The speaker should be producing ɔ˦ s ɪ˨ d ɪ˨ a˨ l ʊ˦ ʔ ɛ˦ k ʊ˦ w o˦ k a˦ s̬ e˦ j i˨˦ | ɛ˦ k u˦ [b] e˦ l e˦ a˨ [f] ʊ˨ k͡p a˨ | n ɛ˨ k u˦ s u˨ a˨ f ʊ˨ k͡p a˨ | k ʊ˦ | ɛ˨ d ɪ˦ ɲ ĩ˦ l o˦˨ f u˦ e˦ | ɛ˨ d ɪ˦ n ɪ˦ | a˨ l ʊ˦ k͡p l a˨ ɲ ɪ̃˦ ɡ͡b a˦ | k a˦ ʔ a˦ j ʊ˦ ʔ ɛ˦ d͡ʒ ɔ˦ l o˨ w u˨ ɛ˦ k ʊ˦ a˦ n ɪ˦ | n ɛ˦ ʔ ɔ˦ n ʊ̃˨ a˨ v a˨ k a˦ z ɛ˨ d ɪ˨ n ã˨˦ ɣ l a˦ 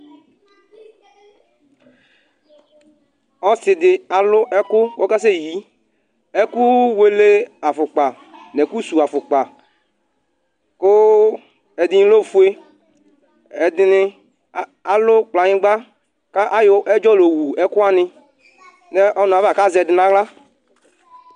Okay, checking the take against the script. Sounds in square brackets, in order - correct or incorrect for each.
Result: incorrect: w, correct

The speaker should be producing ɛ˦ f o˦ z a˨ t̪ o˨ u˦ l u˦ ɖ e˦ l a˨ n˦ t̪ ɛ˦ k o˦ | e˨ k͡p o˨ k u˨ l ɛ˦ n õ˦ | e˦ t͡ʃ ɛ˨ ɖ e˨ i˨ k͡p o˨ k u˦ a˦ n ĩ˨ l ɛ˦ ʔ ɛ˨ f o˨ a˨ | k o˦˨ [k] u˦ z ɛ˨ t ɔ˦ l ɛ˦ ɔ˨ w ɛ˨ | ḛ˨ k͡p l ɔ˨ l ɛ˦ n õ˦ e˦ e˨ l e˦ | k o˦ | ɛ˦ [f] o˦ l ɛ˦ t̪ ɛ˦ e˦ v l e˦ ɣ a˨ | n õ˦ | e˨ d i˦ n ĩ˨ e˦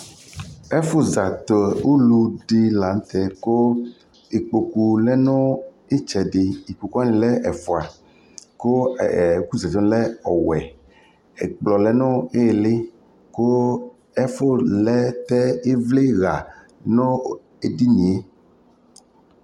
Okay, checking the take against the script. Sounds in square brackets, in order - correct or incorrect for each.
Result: correct, correct

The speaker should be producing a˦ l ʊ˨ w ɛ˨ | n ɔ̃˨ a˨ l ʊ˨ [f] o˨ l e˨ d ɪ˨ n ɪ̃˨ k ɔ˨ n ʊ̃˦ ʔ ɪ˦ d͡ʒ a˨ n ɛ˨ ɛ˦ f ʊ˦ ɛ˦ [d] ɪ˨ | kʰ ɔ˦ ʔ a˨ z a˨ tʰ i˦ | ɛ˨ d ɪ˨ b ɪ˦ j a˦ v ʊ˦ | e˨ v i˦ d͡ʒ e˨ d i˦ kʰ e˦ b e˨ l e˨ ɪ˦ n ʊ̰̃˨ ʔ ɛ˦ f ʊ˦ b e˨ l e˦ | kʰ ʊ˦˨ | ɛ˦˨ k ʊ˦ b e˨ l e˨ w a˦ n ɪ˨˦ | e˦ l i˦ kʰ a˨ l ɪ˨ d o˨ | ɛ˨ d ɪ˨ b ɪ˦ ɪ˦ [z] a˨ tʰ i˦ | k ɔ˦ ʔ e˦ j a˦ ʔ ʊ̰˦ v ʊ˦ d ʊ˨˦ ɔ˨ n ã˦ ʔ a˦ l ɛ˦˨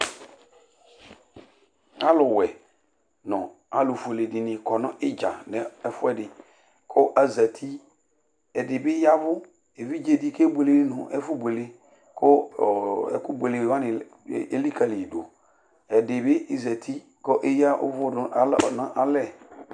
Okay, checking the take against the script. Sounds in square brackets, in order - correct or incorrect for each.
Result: correct, correct, correct

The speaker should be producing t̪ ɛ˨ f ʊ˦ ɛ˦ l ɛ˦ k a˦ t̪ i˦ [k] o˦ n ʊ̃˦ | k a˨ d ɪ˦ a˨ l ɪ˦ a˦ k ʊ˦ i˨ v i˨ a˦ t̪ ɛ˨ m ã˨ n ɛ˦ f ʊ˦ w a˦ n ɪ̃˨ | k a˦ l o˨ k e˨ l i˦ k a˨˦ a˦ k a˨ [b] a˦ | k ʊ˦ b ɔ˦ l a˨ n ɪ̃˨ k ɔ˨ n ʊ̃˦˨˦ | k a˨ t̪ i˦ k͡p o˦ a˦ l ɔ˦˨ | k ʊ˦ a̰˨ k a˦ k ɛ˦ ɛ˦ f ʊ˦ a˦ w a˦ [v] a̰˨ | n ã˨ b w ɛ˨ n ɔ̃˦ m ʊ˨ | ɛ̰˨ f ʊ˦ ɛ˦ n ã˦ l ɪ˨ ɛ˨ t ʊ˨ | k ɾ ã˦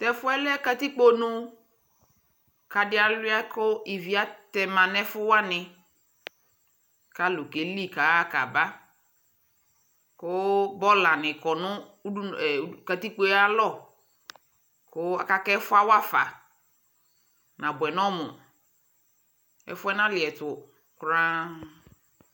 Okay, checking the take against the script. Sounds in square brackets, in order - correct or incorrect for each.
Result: incorrect: k͡p, correct, incorrect: f

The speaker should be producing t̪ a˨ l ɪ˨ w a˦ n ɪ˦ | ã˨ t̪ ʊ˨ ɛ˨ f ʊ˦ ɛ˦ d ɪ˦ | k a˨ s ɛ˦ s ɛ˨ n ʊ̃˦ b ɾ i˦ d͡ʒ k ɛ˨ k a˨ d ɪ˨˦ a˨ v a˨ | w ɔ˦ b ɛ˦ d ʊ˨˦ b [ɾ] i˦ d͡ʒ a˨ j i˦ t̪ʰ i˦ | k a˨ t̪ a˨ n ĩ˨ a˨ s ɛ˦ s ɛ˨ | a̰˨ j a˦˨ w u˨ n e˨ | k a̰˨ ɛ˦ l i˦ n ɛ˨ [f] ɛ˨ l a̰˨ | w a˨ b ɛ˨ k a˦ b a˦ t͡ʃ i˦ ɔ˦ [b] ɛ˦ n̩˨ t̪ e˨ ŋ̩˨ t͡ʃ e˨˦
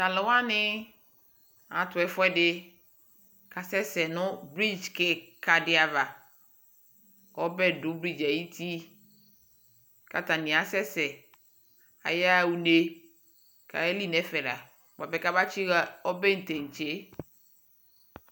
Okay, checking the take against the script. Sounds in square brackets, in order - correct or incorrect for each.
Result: correct, correct, correct

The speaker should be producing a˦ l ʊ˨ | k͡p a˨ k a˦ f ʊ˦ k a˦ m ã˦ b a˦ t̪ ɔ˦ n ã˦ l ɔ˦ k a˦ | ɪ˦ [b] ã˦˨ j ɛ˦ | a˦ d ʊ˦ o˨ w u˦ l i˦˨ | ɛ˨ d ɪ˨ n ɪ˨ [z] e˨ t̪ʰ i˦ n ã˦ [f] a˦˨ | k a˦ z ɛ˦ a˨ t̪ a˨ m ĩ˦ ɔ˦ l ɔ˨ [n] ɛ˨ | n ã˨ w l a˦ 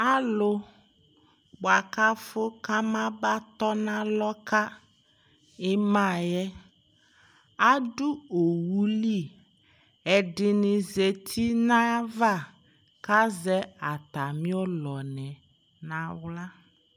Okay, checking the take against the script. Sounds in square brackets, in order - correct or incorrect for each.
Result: incorrect: m, correct, incorrect: v, correct

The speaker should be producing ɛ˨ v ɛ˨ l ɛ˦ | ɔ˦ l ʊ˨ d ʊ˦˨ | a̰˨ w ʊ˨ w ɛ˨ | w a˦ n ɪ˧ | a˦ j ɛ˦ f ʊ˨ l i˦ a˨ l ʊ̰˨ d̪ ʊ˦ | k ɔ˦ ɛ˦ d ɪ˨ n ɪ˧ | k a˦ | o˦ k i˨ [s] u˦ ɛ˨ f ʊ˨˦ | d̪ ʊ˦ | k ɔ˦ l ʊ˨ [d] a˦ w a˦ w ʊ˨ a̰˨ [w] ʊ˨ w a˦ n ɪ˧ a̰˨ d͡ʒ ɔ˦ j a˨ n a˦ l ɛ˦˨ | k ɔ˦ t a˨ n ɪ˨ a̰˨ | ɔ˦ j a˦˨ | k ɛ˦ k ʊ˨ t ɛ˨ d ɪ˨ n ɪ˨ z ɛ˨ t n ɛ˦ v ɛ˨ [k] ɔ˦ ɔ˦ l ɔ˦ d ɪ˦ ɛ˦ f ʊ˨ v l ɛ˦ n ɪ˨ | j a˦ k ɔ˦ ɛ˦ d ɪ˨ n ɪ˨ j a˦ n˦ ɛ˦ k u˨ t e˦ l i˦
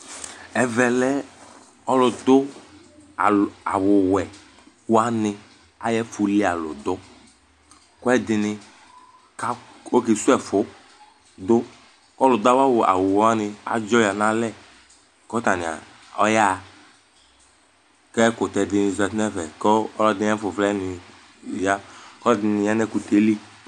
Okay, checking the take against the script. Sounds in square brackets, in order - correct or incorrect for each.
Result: correct, correct, correct, correct

